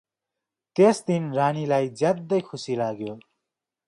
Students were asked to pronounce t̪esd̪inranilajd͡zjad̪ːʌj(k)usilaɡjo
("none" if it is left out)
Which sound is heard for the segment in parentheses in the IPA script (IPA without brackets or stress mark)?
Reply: kʰ